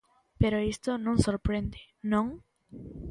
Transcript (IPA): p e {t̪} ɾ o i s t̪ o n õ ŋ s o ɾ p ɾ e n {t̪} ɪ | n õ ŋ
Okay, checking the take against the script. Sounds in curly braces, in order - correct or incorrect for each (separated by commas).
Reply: incorrect, incorrect